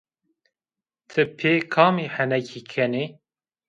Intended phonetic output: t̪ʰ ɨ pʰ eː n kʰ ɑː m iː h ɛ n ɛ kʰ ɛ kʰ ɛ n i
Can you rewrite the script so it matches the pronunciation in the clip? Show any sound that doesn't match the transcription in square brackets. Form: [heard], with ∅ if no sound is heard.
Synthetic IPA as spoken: t̪ʰ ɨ pʰ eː [∅] kʰ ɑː m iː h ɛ n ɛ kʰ [i] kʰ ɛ n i